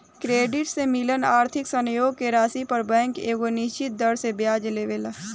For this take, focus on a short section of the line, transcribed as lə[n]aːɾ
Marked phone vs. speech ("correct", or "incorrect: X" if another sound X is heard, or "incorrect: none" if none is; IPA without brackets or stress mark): correct